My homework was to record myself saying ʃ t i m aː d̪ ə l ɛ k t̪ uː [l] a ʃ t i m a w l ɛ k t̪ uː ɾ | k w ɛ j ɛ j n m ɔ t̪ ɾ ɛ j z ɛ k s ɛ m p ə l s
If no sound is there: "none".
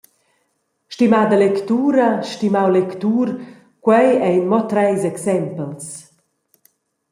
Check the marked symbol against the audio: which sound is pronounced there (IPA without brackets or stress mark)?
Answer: ɾ